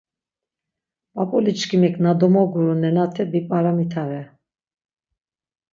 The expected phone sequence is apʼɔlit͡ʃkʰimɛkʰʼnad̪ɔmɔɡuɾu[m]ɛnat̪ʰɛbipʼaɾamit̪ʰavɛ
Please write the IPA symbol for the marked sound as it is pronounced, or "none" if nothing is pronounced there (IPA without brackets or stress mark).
n